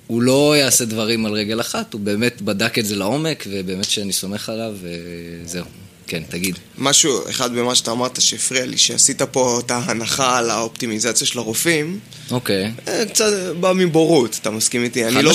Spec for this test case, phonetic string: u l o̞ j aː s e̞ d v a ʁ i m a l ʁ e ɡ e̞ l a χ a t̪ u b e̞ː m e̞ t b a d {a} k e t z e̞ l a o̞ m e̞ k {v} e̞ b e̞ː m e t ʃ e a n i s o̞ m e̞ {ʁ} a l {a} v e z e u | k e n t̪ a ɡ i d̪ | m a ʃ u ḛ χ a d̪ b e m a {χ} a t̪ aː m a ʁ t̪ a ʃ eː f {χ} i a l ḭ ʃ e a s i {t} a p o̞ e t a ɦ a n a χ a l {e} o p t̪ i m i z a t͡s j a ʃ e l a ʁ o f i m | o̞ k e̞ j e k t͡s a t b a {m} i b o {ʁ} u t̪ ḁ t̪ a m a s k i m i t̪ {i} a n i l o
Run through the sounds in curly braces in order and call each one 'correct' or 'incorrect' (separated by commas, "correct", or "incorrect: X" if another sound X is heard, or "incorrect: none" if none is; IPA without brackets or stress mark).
correct, correct, incorrect: χ, correct, incorrect: ʃ, incorrect: ʁ, correct, incorrect: a, correct, correct, correct